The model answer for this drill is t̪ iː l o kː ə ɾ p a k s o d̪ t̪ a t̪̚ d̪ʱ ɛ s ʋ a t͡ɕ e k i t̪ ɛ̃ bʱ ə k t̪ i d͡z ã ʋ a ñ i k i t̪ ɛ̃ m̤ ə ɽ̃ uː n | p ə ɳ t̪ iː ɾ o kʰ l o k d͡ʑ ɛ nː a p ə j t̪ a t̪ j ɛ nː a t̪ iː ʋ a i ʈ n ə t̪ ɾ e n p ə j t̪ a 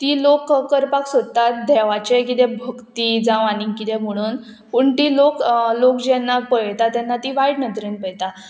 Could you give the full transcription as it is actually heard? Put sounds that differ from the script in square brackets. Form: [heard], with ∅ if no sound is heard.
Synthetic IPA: t̪ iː l o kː ə ɾ p a k s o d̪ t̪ a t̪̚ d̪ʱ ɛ [∅] ʋ a t͡ɕ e k i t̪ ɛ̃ bʱ ə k t̪ i d͡z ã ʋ a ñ i k i t̪ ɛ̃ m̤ ə ɽ̃ uː n | p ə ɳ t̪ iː [l] o [k] l o k d͡ʑ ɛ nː a p ə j t̪ a t̪ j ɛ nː a t̪ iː ʋ a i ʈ n ə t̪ ɾ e n p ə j t̪ a